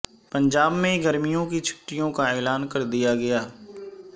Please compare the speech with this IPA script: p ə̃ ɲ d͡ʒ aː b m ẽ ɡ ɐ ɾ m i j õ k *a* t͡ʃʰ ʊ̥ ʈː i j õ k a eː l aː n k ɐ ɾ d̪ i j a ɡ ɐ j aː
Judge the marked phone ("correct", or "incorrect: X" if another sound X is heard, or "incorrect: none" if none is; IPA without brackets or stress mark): incorrect: i